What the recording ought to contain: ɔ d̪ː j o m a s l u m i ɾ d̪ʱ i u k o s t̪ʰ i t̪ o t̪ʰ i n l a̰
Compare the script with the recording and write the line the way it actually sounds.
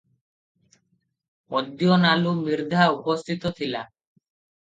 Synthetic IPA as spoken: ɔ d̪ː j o n a l u m i ɾ d̪ʱ a u p o s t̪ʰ i t̪ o t̪ʰ i l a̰